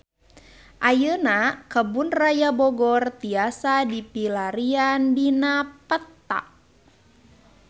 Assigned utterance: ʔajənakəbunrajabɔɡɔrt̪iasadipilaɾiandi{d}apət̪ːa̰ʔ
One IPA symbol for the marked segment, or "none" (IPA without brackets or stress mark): n